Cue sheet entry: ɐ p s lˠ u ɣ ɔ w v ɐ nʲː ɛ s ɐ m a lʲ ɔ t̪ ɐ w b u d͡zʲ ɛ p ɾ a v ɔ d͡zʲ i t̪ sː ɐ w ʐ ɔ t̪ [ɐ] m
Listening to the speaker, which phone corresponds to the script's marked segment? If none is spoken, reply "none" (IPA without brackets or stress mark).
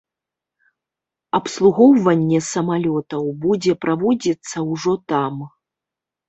a